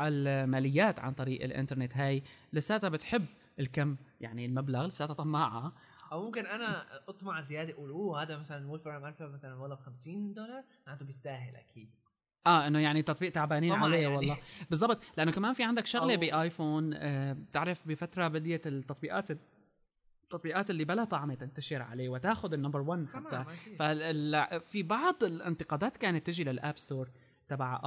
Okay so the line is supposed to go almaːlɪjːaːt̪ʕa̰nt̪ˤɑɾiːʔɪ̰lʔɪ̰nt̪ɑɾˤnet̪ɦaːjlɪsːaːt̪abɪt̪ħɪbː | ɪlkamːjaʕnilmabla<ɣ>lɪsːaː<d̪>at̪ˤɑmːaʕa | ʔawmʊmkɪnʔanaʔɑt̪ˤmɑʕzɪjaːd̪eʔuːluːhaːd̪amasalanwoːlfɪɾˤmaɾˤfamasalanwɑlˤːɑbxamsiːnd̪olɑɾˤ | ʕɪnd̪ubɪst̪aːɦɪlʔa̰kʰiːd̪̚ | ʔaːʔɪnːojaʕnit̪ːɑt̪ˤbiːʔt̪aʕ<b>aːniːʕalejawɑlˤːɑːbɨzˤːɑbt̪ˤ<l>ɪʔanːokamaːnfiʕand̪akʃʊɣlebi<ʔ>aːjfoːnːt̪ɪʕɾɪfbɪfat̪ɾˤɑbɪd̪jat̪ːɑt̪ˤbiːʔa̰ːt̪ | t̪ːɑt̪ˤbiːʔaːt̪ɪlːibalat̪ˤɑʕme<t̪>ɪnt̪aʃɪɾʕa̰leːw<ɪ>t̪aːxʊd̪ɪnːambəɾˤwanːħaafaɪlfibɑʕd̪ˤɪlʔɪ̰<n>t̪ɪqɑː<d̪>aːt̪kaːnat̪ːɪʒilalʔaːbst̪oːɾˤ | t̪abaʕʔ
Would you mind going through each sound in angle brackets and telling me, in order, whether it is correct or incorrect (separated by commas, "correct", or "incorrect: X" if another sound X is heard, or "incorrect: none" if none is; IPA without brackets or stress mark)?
correct, incorrect: t̪, correct, correct, correct, correct, correct, correct, correct